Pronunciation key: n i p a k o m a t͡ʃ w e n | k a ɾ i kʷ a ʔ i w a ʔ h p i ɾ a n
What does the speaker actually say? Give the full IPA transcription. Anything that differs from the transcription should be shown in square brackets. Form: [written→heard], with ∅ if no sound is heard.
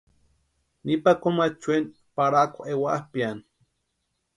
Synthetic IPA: n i p a k o m a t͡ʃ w e n | [k→p] a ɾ [i→a] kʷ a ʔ [i→e] w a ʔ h p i [ɾ→∅] a n